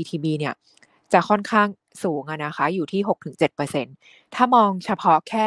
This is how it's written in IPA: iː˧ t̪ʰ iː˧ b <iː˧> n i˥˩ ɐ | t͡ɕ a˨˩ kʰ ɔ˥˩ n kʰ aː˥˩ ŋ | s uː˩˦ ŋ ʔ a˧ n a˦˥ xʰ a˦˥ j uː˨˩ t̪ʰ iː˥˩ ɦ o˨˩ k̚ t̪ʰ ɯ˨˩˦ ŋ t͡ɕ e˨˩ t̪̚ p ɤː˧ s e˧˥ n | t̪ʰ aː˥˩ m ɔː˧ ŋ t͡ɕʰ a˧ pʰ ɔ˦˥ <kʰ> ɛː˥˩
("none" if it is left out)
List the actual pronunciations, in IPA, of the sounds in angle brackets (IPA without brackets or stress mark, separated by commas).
iː˧, kʰ